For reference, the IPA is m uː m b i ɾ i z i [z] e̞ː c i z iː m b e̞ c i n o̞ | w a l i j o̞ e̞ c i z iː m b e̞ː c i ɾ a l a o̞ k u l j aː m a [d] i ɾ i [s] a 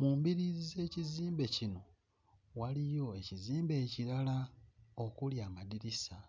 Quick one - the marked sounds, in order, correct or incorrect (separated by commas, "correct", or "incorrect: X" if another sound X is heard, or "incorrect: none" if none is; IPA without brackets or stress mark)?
correct, correct, correct